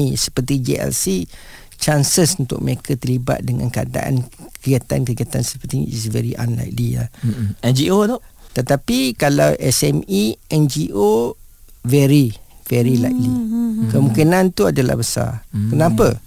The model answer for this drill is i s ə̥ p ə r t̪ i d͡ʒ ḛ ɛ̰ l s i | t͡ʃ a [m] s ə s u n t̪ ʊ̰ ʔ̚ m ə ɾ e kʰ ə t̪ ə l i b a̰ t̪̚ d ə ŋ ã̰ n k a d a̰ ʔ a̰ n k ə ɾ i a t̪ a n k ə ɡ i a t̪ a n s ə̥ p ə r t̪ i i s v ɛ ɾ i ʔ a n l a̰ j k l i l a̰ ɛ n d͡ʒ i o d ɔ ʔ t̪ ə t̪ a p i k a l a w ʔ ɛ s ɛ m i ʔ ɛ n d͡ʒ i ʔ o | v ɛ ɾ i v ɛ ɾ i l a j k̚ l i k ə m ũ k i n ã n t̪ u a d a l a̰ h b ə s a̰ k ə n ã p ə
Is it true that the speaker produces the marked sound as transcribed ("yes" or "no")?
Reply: no